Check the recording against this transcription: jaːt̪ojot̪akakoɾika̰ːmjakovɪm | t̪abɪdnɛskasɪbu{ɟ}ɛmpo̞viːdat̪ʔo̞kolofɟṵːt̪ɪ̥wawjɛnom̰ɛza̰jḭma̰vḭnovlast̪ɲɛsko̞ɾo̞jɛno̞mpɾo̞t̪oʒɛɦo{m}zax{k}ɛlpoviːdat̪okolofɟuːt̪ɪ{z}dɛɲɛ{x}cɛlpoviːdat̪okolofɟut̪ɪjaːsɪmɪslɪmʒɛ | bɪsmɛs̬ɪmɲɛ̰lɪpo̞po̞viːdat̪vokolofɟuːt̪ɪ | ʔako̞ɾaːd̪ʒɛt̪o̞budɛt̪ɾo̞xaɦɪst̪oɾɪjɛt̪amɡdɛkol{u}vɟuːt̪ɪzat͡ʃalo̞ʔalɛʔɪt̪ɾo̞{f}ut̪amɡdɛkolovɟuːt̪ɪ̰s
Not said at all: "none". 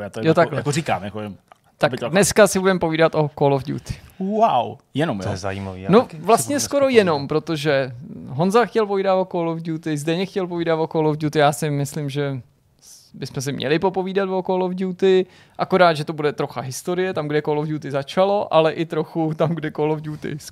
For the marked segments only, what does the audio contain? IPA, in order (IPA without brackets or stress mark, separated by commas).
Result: d, n, c, z, x, o, x